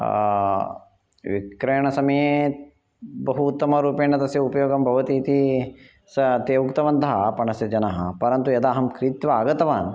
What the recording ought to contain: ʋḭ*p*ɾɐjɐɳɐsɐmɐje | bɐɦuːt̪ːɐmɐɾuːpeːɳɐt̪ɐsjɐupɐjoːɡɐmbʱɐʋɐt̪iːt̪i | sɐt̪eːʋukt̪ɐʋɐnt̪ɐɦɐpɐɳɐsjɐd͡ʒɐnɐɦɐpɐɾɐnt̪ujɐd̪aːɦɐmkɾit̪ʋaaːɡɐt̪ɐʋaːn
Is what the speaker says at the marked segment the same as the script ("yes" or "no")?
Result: no